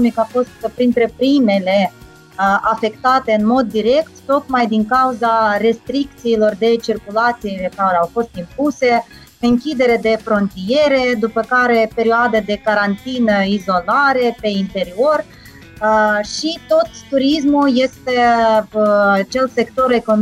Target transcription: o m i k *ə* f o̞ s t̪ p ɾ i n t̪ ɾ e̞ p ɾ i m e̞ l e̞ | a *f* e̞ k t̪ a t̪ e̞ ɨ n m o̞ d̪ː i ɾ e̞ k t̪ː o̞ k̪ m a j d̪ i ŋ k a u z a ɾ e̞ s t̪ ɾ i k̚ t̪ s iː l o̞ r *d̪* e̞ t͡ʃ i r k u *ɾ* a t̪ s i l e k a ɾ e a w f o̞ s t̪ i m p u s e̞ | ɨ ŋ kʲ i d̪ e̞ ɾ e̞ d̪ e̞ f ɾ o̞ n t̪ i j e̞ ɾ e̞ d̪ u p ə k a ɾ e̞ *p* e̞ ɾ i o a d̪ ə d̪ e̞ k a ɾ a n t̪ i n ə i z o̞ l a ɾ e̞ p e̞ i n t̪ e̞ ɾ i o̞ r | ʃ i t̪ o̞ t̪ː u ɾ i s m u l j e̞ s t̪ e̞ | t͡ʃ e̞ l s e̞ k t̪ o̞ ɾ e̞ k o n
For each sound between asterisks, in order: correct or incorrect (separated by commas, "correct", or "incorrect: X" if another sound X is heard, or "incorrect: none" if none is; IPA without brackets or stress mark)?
incorrect: a, correct, correct, incorrect: l, correct